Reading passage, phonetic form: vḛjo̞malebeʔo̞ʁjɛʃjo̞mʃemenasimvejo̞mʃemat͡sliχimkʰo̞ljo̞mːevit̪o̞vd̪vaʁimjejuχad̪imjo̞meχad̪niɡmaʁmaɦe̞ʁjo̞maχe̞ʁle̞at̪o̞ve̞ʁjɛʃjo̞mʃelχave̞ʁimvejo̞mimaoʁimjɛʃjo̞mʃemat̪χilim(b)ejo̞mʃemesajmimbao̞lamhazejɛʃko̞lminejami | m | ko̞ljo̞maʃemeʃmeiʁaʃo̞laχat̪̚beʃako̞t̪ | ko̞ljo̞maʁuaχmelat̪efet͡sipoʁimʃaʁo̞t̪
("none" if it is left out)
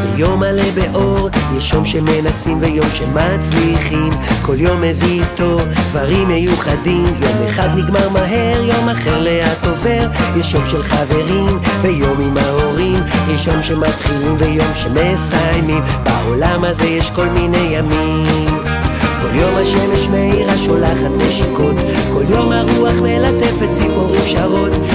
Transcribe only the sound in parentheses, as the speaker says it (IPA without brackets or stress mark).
v